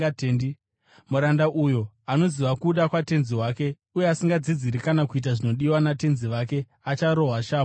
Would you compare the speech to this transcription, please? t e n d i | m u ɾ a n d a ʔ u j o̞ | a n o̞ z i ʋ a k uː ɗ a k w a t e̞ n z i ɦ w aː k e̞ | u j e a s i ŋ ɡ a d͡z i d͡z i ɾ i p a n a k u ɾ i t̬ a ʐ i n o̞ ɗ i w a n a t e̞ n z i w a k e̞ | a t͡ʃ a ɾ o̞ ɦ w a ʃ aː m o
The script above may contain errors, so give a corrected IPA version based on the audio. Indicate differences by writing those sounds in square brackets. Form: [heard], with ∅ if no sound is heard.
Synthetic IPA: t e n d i | m u ɾ a n d a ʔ u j o̞ | a n o̞ z i ʋ a k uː ɗ a k w a t e̞ n z i ɦ w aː k e̞ | u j e a s i ŋ ɡ a d͡z i d͡z i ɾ i [k] a n a k u [∅] i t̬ a ʐ i n o̞ ɗ i w a n a t e̞ n z i [ʋ] a k e̞ | a t͡ʃ a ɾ o̞ ɦ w a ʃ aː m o